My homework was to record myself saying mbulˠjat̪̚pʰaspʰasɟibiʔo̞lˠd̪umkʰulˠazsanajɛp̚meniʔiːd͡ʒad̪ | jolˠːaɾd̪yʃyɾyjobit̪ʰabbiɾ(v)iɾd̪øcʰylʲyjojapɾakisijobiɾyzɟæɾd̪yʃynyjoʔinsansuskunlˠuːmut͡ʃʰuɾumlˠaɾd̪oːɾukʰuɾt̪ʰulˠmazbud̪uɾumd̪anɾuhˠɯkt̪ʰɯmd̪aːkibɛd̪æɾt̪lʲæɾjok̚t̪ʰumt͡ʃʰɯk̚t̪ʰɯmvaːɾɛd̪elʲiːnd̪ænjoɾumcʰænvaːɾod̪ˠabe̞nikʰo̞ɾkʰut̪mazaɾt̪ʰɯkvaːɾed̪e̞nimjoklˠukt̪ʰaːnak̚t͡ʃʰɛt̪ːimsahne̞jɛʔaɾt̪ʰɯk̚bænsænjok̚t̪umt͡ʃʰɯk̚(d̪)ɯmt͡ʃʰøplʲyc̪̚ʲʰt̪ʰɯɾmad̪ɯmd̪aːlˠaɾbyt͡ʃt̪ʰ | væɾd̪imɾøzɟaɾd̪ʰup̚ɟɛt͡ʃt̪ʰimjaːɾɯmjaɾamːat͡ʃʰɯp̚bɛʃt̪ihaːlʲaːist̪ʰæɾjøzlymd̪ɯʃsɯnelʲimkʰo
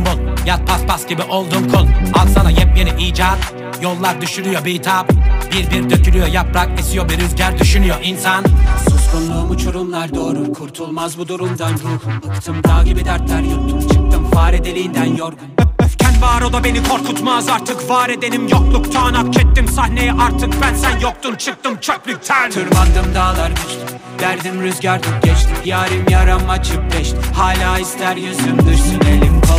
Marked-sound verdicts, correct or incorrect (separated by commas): incorrect, incorrect